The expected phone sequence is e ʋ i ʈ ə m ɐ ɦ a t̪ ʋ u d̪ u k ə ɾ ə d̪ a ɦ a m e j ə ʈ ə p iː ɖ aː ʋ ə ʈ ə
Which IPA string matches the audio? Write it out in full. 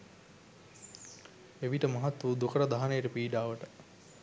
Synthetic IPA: e ʋ i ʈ ə m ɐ ɦ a t̪ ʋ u d̪ u k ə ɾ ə d̪ a ɦ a n e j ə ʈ ə p iː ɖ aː ʋ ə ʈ ə